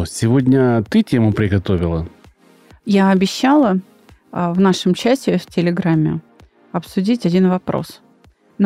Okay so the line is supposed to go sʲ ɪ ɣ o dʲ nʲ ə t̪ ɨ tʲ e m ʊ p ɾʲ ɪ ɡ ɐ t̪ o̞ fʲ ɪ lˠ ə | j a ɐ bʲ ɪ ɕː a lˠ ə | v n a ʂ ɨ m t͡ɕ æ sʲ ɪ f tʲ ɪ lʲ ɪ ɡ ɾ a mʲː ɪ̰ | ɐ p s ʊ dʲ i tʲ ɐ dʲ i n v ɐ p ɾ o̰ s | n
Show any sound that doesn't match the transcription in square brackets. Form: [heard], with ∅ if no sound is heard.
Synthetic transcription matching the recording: sʲ ɪ [v] o dʲ nʲ ə t̪ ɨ tʲ e m ʊ p ɾʲ ɪ ɡ ɐ t̪ o̞ [vʲ] ɪ lˠ ə | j a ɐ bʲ ɪ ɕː a lˠ ə | v n a ʂ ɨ m t͡ɕ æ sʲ ɪ f tʲ ɪ lʲ ɪ ɡ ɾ a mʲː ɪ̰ | ɐ p s ʊ dʲ i tʲ ɐ dʲ i n v ɐ p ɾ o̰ s | n